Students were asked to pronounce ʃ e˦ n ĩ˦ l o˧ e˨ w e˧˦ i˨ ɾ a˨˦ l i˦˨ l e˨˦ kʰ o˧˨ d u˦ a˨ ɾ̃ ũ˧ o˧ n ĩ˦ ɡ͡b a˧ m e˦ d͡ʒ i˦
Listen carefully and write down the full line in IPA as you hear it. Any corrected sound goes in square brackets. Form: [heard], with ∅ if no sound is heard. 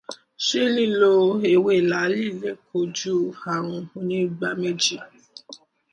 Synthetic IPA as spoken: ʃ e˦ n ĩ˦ l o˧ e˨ w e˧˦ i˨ [l] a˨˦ l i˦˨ l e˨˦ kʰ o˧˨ [d͡ʒ] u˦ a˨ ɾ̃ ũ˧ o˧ n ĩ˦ ɡ͡b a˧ m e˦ d͡ʒ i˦